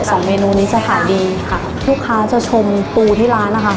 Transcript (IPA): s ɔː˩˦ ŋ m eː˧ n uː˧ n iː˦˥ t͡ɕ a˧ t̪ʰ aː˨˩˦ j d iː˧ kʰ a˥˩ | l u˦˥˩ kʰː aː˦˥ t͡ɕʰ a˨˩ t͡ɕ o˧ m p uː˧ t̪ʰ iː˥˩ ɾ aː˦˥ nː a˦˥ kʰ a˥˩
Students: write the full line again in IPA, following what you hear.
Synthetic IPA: s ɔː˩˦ ŋ m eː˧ n uː˧ n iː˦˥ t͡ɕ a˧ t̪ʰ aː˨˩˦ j d iː˧ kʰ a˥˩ | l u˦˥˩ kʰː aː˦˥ t͡ɕ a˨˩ t͡ɕʰ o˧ m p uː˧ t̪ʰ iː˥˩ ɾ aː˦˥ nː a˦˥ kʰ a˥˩